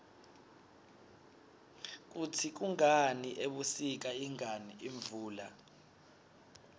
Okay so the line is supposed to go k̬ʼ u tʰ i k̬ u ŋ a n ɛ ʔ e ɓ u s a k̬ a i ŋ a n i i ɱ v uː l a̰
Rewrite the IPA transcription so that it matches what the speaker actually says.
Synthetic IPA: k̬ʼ u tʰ i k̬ u ŋ a n i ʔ e ɓ u s i k̬ a i ŋ a n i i ɱ v uː l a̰